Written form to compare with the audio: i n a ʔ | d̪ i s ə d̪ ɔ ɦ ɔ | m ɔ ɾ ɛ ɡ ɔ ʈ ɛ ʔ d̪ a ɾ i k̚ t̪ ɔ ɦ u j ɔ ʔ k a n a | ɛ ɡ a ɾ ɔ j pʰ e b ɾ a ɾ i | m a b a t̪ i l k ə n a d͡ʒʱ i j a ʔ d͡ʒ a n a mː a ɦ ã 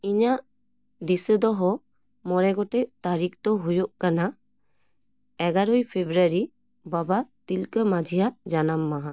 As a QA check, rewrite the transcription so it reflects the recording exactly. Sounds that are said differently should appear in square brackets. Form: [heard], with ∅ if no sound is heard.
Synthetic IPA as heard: i [ɲ] a ʔ | d̪ i s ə d̪ ɔ ɦ ɔ | m ɔ ɾ ɛ ɡ ɔ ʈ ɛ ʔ [t̪] a ɾ i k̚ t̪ ɔ ɦ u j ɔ ʔ k a n a | ɛ ɡ a ɾ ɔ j pʰ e b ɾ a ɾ i | [b] a b a t̪ i l k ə [m] a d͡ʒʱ i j a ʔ d͡ʒ a n a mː a ɦ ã